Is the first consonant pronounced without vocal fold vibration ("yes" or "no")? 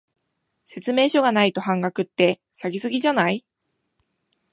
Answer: yes